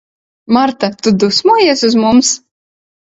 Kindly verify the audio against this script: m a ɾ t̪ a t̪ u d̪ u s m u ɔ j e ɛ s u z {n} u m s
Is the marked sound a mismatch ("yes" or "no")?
yes